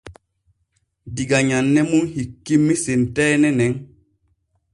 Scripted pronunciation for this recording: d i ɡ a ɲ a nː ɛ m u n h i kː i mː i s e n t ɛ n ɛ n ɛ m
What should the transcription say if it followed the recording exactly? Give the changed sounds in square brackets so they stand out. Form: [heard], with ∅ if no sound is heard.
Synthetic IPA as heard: d i ɡ a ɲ a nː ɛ m u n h i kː i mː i s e n t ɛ n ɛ n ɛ [ŋ]